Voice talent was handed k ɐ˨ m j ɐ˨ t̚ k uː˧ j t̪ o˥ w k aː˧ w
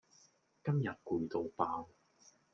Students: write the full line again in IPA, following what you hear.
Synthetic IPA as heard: k ɐ˥ m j ɐ˨ t̚ k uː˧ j t̪ o˨˧ w p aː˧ w